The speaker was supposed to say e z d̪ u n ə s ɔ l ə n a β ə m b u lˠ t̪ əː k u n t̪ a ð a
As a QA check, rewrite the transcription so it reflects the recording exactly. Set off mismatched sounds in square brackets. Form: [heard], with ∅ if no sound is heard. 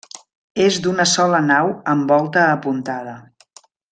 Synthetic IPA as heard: e z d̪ u n ə s ɔ l ə n a [w] ə m b [ɔ] lˠ t̪ əː [p] u n t̪ a ð [ə]